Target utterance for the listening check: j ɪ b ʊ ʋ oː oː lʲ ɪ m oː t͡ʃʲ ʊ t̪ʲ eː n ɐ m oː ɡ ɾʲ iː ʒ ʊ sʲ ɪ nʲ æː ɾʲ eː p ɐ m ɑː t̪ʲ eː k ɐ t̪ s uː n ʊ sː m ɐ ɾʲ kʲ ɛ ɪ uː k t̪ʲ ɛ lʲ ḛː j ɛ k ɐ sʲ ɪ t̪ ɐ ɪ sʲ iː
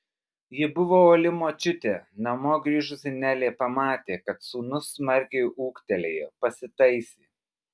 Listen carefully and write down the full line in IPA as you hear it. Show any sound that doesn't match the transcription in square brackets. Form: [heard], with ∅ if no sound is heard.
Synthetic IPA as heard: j ɪ b ʊ ʋ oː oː lʲ ɪ m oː t͡ʃʲ ʊ t̪ʲ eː n ɐ m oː ɡ ɾʲ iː ʒ ʊ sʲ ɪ nʲ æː [lʲ] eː p ɐ m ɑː t̪ʲ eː k ɐ t̪ s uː n ʊ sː m ɐ ɾʲ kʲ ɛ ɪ uː k t̪ʲ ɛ lʲ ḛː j ɛ [p] ɐ sʲ ɪ t̪ ɐ ɪ sʲ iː